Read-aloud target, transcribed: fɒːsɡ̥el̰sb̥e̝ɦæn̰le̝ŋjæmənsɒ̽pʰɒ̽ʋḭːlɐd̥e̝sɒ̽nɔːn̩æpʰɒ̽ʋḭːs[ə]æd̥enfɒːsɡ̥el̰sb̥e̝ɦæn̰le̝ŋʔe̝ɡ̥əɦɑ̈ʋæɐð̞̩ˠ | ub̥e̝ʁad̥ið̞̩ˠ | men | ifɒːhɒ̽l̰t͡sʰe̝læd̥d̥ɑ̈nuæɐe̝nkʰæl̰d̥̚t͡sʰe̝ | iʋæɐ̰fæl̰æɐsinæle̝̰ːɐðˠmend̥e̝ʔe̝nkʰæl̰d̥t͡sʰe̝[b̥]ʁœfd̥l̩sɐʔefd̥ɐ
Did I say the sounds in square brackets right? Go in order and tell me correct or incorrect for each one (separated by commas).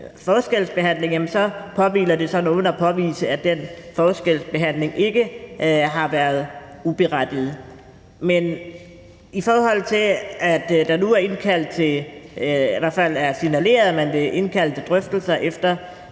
correct, incorrect